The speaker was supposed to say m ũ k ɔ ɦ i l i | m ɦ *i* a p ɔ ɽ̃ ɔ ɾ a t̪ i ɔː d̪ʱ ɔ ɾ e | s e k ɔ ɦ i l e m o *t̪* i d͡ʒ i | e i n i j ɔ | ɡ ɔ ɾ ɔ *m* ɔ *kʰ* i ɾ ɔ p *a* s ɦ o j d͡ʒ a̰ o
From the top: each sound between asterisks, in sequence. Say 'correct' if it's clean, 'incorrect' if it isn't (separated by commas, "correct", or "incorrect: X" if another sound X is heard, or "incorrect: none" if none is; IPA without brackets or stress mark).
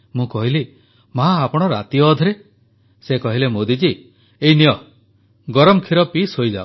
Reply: incorrect: a, incorrect: d̪, correct, correct, incorrect: i